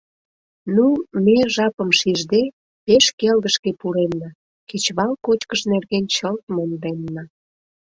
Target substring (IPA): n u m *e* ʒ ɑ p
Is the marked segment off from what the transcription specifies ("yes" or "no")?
no